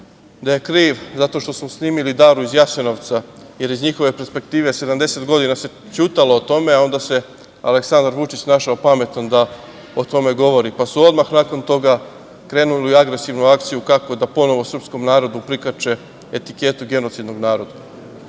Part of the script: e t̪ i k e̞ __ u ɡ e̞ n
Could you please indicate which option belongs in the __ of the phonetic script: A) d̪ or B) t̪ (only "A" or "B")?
B